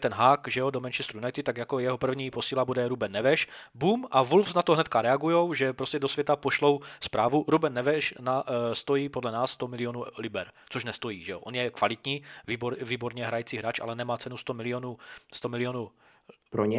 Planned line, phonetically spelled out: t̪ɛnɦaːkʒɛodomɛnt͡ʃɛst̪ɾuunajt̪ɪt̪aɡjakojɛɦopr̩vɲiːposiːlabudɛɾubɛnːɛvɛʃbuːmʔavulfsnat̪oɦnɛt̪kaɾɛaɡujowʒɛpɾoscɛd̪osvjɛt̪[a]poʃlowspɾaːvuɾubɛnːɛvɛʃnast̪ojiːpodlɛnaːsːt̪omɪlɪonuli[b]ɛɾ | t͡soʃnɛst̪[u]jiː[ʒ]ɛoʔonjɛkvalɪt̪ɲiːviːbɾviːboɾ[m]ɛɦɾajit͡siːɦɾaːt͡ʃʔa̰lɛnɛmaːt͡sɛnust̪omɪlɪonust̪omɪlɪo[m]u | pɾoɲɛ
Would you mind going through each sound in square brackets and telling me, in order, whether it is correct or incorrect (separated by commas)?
correct, correct, incorrect, correct, incorrect, incorrect